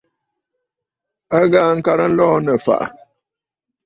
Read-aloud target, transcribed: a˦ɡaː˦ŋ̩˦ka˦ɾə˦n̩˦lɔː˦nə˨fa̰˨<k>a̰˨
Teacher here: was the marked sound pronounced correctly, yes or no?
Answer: no